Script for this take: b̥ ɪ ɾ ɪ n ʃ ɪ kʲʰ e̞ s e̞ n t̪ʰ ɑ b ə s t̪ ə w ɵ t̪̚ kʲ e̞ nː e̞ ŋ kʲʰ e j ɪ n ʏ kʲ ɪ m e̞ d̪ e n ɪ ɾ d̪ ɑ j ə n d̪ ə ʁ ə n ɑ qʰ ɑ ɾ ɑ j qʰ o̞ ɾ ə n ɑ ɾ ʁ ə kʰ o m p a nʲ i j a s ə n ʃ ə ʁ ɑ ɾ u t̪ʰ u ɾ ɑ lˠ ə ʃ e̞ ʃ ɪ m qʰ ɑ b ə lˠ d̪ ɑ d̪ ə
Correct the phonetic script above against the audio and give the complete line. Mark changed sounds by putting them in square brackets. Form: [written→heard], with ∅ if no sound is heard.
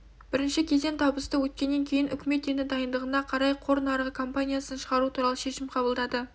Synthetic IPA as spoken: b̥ ɪ ɾ ɪ n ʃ ɪ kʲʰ e̞ [s→z] e̞ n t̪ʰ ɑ b ə s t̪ ə w ɵ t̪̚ kʲ e̞ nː e̞ ŋ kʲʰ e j ɪ n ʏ kʲ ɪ m e̞ [d̪→t̪] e n ɪ [ɾ→∅] d̪ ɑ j ə n d̪ ə ʁ ə n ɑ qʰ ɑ ɾ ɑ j qʰ o̞ ɾ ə n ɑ ɾ ʁ ə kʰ o m p a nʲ i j a s ə n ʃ ə ʁ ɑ ɾ u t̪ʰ u ɾ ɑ lˠ ə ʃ e̞ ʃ ɪ m qʰ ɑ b ə lˠ d̪ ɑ d̪ ə